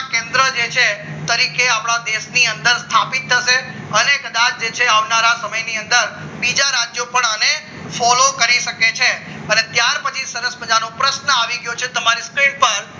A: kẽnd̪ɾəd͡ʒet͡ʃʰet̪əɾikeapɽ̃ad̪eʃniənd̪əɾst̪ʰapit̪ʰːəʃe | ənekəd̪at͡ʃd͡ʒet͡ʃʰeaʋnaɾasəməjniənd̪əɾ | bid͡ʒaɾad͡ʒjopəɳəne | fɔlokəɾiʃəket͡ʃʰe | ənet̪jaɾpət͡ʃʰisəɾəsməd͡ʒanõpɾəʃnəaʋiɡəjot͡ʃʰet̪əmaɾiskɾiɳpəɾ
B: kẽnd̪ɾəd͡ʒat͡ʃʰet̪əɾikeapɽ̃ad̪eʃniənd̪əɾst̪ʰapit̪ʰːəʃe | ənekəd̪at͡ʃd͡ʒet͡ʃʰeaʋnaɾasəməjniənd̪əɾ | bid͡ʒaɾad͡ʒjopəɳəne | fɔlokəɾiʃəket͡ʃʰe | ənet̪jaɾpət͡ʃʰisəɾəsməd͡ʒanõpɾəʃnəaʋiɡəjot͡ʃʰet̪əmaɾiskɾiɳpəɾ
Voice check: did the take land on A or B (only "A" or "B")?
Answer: A